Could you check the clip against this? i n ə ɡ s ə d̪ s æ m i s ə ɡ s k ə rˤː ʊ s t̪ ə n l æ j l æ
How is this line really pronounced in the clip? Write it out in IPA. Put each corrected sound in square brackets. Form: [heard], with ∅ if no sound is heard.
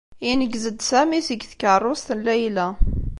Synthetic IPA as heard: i n ə ɡ [z] ə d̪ s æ m i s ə ɡ [θ] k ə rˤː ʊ s t̪ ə n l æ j l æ